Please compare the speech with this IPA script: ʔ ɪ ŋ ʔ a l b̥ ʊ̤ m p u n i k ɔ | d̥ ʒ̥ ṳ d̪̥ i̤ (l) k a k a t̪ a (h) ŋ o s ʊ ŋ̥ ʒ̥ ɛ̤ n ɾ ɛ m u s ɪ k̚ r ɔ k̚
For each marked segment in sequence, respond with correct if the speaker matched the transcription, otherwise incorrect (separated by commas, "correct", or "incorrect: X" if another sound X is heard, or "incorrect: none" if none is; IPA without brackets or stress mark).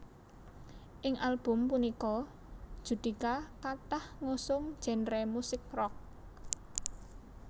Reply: incorrect: none, correct